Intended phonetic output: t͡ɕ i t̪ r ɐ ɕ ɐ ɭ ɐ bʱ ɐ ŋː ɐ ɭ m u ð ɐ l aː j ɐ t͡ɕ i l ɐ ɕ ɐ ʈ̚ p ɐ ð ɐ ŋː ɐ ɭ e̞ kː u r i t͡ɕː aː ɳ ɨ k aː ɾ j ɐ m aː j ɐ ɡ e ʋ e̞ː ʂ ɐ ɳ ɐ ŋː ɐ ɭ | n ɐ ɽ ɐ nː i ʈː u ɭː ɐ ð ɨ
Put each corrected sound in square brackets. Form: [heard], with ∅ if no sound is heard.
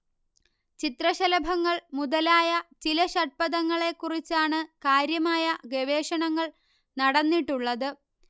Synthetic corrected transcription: t͡ɕ i t̪ r ɐ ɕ ɐ [l] ɐ bʱ ɐ ŋː ɐ ɭ m u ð ɐ l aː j ɐ t͡ɕ i l ɐ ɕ ɐ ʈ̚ p ɐ ð ɐ ŋː ɐ ɭ e̞ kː u r i t͡ɕː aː ɳ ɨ k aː ɾ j ɐ m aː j ɐ ɡ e ʋ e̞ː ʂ ɐ ɳ ɐ ŋː ɐ ɭ | n ɐ ɽ ɐ nː i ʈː u ɭː ɐ ð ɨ